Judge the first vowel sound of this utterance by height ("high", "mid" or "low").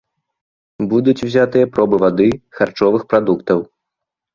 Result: high